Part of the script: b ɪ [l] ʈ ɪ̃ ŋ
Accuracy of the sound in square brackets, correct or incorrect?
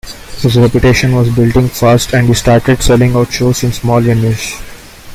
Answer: correct